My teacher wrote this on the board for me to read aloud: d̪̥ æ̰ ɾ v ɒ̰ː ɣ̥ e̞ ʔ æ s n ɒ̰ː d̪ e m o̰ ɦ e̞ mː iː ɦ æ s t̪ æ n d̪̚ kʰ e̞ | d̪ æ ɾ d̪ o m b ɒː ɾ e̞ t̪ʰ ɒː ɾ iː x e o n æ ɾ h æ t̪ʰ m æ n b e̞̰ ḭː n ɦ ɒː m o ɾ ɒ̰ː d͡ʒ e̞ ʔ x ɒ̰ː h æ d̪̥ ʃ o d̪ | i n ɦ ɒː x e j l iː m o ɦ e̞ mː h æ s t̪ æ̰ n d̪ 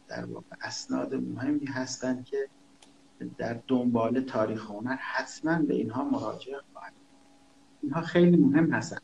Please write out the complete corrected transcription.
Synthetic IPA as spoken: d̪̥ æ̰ ɾ v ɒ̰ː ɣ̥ e̞ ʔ æ s n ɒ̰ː d̪ e m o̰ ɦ e̞ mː iː ɦ æ s t̪ æ n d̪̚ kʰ e̞ | d̪ æ ɾ d̪ o m b ɒː l e̞ t̪ʰ ɒː ɾ iː x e o n æ ɾ h æ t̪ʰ m æ n b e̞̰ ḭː n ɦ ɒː m o ɾ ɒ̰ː d͡ʒ e̞ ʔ x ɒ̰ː h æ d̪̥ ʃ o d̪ | i n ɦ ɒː x e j l iː m o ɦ e̞ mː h æ s t̪ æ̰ n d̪